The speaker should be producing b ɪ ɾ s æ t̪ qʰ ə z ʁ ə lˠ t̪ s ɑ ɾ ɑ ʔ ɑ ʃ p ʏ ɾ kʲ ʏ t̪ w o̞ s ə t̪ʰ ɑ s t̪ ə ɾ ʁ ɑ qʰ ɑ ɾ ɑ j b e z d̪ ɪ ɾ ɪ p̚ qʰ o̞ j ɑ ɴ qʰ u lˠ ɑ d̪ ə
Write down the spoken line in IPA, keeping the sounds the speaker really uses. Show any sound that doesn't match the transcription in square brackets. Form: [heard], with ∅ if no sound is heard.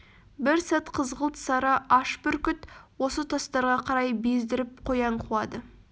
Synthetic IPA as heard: b ɪ ɾ s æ t̪ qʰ ə z ʁ ə lˠ t̪ s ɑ ɾ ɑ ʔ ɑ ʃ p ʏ ɾ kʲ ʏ t̪ w o̞ s ə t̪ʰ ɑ s t̪ [ɑ] ɾ ʁ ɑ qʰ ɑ ɾ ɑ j b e z d̪ ɪ ɾ ɪ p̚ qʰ o̞ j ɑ ɴ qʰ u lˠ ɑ d̪ ə